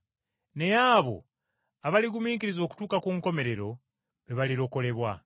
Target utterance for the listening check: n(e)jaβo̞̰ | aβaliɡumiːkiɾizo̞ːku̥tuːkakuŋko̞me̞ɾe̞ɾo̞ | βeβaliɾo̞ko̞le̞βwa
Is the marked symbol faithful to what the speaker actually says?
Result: yes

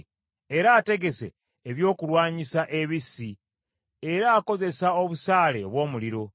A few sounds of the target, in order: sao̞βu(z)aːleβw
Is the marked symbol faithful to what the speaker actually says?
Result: no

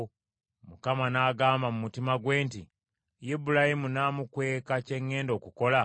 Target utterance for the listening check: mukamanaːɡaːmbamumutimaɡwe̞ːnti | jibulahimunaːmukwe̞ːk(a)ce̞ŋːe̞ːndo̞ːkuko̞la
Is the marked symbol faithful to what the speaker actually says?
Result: yes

